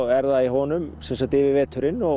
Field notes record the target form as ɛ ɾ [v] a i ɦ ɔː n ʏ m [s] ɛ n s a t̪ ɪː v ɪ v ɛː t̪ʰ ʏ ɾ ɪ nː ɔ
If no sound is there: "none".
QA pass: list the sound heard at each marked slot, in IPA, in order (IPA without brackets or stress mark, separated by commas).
ð, s